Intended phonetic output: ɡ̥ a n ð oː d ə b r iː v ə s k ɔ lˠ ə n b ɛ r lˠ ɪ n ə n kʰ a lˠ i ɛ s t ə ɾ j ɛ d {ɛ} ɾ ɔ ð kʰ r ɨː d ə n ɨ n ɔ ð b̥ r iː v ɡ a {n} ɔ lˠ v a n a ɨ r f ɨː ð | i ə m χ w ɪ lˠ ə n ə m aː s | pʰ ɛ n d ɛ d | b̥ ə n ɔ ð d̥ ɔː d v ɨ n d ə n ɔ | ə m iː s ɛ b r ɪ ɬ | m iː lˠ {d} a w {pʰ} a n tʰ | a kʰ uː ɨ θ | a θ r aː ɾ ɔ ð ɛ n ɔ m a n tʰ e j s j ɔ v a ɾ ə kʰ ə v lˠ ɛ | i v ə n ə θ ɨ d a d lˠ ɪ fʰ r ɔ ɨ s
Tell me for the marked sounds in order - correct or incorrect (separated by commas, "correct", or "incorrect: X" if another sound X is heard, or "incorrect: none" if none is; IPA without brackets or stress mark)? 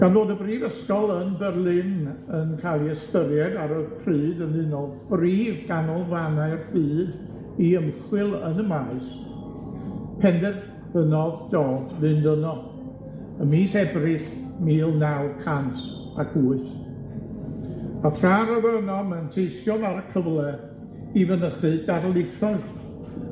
incorrect: a, correct, incorrect: n, incorrect: kʰ